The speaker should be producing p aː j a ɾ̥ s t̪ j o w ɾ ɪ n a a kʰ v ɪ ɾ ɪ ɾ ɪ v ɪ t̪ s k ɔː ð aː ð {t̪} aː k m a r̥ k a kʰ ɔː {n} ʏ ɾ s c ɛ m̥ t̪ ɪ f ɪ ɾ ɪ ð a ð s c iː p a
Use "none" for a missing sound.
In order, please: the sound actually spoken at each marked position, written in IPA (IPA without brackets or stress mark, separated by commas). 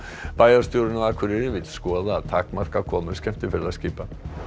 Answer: t̪ʰ, m